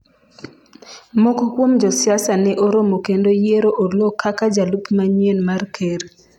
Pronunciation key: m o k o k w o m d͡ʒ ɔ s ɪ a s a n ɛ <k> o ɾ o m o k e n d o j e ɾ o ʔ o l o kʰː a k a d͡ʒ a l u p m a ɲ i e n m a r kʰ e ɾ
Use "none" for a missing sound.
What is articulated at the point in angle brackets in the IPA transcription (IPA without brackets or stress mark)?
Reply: ʔ